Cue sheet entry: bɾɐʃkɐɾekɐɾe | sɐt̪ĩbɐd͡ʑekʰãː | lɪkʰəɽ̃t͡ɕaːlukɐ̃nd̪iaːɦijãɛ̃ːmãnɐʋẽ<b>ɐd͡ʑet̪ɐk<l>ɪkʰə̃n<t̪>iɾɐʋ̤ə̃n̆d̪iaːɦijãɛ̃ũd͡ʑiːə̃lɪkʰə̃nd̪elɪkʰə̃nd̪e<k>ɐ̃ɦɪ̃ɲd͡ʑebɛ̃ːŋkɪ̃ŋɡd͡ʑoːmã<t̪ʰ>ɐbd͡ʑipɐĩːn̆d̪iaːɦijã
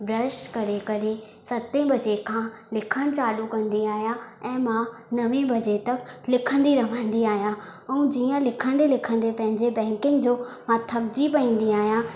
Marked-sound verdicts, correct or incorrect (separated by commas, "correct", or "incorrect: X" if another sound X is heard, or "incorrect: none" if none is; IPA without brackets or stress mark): correct, correct, incorrect: d̪, incorrect: p, correct